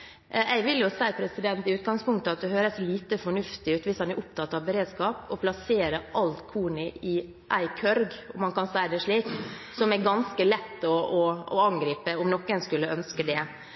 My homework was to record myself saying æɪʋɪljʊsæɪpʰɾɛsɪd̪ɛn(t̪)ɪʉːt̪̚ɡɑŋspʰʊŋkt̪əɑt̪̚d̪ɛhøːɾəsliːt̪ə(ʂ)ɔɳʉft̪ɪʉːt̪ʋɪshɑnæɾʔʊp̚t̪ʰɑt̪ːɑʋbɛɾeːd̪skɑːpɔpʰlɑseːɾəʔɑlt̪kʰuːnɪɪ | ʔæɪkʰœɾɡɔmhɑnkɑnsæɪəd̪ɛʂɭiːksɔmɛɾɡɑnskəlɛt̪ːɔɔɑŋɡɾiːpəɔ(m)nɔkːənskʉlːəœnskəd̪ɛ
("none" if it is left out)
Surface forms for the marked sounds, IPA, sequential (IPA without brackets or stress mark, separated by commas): t̪, f, m